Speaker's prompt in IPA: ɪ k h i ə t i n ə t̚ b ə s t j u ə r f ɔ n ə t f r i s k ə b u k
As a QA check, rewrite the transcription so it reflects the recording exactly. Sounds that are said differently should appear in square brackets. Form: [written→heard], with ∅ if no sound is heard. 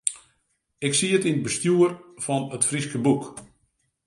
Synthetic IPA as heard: ɪ k [h→s] i ə t i n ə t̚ b ə s t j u ə r f ɔ n ə t f r i s k ə b u k